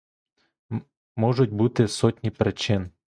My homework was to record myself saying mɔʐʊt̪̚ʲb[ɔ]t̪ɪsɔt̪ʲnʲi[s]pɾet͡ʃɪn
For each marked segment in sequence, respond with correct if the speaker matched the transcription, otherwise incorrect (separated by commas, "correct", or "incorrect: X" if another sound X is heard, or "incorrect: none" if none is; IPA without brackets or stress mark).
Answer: incorrect: u, incorrect: none